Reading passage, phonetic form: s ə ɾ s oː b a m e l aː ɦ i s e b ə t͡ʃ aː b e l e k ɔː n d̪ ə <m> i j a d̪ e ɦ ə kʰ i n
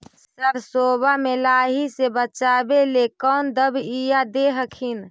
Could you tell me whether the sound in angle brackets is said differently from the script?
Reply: yes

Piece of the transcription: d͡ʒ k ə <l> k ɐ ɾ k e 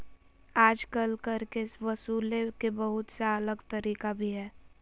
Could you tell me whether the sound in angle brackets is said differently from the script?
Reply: no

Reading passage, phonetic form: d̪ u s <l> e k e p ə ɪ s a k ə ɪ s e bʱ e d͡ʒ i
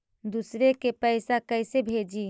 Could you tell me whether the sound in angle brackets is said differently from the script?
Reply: yes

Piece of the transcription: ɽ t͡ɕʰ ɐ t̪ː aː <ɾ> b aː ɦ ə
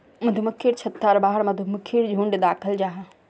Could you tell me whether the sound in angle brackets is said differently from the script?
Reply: no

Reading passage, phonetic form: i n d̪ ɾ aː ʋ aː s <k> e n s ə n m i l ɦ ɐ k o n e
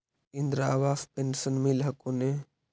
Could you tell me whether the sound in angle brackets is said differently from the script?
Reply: yes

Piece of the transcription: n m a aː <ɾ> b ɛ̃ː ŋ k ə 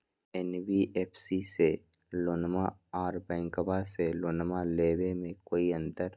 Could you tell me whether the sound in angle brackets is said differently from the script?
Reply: no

